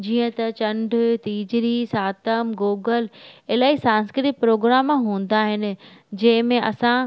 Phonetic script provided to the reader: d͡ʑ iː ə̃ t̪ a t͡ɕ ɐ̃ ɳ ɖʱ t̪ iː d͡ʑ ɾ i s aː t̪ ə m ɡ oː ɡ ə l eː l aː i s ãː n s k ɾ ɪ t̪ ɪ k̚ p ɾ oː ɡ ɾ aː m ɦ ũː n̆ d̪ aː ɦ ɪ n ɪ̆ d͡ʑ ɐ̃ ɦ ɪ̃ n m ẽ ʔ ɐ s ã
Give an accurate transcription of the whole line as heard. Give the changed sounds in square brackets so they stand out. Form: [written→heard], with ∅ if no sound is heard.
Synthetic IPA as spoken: d͡ʑ iː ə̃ t̪ [a→ɐ] t͡ɕ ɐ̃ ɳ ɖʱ t̪ iː d͡ʑ ɾ i s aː t̪ ə m ɡ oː ɡ ə l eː l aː i s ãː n s k ɾ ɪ t̪ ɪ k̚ p ɾ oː ɡ ɾ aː m ɦ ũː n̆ d̪ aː ɦ ɪ n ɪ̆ d͡ʑ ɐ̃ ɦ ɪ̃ [n→∅] m ẽ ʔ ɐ s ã